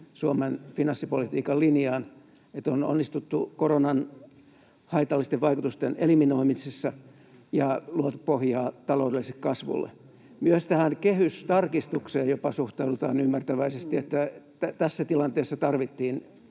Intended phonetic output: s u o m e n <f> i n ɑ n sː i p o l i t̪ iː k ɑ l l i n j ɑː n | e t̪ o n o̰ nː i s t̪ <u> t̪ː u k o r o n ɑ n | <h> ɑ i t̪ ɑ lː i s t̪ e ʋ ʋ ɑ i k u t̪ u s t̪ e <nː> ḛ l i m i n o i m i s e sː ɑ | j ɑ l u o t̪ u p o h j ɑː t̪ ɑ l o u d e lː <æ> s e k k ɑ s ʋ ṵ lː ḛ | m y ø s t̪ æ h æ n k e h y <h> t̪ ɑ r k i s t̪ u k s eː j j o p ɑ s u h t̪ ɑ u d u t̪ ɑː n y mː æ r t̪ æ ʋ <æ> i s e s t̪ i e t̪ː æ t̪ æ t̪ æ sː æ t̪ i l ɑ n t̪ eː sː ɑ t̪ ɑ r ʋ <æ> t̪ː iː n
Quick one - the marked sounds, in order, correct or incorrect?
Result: correct, correct, correct, incorrect: n, incorrect: i, incorrect: s, correct, incorrect: i

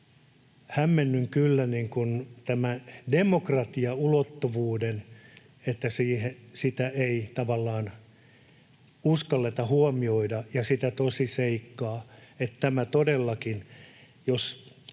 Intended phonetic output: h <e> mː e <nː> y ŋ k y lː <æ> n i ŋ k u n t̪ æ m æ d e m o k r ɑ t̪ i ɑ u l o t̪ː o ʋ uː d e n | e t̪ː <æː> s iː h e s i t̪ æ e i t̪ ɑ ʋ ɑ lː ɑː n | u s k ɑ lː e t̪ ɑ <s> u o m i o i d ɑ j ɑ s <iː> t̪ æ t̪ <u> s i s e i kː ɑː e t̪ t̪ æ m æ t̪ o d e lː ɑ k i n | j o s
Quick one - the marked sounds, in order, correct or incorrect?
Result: incorrect: æ, correct, correct, incorrect: æ, incorrect: h, incorrect: i, incorrect: o

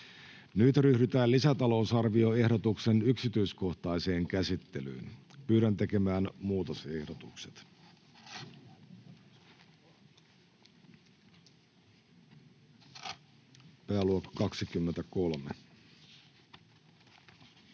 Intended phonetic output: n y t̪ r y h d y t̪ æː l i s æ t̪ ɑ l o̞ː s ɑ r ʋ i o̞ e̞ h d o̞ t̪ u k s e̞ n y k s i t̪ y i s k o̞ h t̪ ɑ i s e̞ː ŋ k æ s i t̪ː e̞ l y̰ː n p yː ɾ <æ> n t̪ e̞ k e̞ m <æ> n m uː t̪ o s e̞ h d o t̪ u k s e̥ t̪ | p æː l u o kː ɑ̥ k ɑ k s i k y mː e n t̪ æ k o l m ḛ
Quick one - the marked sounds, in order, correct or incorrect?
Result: correct, incorrect: æː

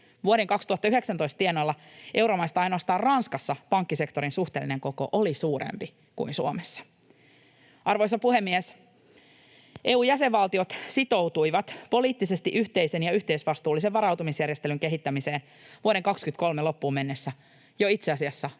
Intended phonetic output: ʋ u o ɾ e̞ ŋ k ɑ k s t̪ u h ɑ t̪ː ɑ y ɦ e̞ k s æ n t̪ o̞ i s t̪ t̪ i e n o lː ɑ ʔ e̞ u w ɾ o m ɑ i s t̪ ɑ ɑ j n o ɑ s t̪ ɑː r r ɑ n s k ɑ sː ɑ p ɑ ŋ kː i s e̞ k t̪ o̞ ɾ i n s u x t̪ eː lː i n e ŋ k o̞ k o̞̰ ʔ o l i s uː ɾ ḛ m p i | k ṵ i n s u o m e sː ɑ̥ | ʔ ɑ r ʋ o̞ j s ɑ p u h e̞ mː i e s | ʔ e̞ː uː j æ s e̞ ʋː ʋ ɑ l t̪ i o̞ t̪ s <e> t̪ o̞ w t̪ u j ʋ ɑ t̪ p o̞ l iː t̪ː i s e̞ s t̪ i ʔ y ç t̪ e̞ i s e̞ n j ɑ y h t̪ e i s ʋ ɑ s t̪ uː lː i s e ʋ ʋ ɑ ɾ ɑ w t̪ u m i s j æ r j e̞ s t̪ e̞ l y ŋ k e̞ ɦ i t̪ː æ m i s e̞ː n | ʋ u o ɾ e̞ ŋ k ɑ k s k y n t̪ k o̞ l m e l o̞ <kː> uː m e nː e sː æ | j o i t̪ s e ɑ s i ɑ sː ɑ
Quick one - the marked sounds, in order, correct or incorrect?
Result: incorrect: i, incorrect: pː

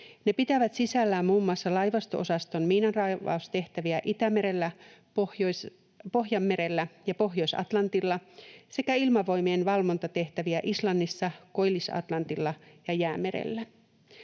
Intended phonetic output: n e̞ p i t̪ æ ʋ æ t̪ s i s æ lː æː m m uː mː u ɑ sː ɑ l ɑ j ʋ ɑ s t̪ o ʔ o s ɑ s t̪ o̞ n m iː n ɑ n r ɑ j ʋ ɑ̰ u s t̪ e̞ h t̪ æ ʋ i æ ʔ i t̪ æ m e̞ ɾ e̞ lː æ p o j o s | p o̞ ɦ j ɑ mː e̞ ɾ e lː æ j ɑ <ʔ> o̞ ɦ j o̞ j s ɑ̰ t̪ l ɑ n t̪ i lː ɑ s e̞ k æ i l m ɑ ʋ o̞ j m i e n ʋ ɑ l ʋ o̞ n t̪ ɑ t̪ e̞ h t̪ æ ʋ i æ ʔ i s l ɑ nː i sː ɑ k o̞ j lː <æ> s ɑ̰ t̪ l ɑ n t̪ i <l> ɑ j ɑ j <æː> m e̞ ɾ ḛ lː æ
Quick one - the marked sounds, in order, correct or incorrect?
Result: incorrect: p, incorrect: i, incorrect: lː, correct

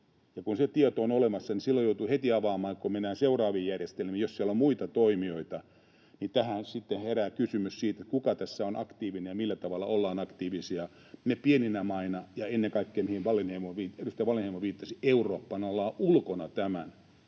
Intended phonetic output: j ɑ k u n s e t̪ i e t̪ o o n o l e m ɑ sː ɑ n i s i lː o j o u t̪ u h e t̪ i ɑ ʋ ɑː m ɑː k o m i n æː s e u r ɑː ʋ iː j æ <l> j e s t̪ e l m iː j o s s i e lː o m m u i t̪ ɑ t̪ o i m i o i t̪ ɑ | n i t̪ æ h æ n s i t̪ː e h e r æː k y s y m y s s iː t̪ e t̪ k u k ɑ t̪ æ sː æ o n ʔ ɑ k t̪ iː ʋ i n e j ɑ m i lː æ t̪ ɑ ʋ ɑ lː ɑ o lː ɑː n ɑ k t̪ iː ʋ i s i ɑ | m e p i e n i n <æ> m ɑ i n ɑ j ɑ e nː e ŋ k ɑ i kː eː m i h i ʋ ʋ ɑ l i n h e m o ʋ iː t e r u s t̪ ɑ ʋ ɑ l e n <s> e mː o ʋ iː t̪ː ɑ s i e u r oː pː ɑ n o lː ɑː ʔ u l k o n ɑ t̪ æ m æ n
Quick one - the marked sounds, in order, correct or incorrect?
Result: incorrect: r, correct, incorrect: h

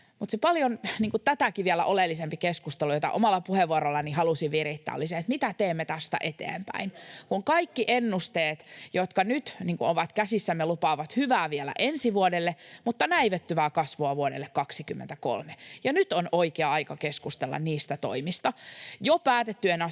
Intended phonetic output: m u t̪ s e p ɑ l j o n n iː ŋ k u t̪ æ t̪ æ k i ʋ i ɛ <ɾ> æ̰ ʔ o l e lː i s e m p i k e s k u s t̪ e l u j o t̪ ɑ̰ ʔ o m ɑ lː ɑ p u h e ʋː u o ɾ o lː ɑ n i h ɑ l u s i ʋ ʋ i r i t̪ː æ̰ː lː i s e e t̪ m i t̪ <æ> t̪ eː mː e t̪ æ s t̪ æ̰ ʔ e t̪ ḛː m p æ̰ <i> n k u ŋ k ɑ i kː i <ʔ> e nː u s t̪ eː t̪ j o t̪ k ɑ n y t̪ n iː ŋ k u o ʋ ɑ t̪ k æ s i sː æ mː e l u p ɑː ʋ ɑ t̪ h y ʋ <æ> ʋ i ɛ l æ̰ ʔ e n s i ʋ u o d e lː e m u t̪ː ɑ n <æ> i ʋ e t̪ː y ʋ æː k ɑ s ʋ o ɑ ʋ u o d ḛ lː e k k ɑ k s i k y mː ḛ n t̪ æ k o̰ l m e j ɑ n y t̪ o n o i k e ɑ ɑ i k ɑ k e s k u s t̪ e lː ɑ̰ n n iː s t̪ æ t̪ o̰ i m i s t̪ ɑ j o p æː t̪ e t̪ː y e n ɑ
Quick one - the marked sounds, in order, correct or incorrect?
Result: incorrect: l, correct, correct, correct, incorrect: æː, correct

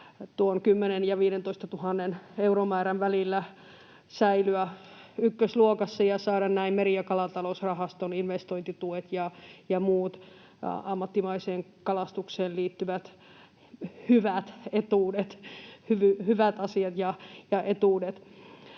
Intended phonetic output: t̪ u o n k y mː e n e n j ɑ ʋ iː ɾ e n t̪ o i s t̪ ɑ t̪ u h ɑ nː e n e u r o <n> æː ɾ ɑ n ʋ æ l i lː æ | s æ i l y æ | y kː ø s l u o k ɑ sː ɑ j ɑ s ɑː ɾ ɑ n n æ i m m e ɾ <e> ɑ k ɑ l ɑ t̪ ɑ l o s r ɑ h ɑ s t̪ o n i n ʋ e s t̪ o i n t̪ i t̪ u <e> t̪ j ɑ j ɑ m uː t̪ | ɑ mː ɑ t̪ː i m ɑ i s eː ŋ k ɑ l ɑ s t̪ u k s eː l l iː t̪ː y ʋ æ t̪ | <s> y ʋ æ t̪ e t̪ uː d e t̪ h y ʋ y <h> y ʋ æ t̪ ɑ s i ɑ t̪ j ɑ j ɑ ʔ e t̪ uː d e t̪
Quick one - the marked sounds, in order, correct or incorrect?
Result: incorrect: m, incorrect: i, correct, incorrect: h, correct

